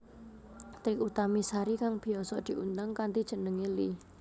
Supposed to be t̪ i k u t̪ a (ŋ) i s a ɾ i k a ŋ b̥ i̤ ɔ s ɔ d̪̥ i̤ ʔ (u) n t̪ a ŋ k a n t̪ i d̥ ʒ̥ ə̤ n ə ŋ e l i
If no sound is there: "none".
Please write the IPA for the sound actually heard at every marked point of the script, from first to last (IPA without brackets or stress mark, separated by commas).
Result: m, u